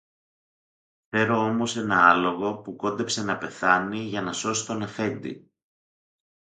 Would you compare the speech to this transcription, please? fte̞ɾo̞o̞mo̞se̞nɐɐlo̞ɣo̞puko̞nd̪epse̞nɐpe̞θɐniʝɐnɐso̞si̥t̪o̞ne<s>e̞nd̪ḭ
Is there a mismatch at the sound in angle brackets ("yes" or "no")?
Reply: yes